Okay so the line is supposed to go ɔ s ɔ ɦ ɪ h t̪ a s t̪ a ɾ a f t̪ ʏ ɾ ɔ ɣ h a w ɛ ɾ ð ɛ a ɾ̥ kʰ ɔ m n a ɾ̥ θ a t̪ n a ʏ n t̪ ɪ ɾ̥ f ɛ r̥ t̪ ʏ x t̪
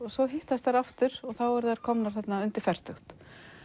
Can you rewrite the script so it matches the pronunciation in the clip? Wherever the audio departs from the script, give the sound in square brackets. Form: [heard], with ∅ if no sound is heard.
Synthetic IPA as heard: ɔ s ɔ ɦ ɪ h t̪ a s t̪ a ɾ a f t̪ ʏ ɾ ɔ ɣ [θ] a w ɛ ɾ ð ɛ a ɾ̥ kʰ ɔ m n a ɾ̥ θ [ɛ] t̪ n a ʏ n t̪ ɪ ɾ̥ f ɛ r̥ t̪ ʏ x t̪